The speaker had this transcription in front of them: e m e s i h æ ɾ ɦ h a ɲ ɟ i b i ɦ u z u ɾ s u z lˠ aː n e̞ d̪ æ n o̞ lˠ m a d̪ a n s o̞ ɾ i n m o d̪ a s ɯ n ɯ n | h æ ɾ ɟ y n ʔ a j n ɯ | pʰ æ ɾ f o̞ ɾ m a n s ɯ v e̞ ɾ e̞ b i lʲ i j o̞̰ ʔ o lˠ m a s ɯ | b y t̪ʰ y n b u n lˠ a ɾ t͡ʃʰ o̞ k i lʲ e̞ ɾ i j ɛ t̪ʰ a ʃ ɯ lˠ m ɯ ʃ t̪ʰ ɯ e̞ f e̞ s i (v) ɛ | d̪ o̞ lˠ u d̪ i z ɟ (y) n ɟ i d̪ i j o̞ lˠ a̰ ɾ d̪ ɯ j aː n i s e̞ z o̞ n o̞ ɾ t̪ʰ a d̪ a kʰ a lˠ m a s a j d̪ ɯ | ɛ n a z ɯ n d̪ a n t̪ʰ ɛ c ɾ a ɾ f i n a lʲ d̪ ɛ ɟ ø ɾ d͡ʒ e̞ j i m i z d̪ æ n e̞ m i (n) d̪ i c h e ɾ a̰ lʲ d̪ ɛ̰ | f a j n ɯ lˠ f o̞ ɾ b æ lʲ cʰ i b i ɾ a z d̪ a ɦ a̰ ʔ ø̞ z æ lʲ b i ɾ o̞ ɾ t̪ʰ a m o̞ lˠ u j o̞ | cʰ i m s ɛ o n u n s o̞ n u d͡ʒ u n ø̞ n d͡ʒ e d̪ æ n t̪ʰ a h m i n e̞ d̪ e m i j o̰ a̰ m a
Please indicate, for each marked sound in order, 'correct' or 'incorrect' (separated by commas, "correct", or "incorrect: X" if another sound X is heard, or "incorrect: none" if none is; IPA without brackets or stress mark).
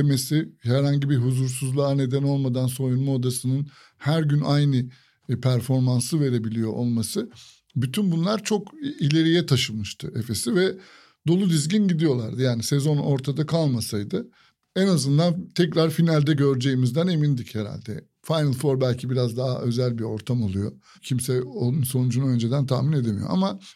correct, incorrect: i, correct